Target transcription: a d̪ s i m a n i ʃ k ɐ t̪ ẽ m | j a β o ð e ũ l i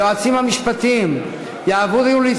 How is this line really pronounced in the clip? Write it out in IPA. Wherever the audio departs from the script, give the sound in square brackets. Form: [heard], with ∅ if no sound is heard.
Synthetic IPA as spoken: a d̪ s i m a [m] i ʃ [p] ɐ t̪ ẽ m | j a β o ð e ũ l i